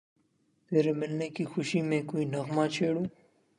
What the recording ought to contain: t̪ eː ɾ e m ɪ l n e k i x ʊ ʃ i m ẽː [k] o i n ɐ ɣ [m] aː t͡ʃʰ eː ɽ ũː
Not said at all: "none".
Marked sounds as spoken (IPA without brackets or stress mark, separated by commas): k, m